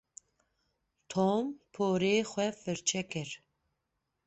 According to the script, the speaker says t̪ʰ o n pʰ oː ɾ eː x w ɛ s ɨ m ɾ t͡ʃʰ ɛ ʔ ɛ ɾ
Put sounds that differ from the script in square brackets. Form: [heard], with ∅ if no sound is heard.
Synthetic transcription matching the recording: t̪ʰ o [m] pʰ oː ɾ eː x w ɛ [f] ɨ [∅] ɾ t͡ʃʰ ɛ [k] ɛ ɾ